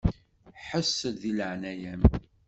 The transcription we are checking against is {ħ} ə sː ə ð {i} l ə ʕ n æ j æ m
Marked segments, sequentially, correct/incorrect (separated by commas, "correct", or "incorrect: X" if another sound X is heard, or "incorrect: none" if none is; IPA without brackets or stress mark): correct, correct